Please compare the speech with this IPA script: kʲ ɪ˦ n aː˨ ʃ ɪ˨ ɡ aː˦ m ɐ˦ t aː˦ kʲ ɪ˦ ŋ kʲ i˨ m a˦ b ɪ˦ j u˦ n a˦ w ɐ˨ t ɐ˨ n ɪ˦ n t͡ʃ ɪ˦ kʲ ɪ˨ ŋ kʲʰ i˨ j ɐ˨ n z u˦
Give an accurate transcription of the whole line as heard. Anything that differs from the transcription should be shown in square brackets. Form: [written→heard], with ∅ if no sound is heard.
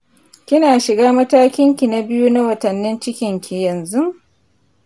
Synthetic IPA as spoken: kʲ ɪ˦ n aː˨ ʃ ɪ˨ ɡ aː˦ m ɐ˦ t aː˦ kʲ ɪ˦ ŋ kʲ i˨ [m→n] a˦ b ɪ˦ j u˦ n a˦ w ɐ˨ t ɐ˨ [n→nː] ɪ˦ n t͡ʃ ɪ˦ kʲ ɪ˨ ŋ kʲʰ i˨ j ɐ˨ n z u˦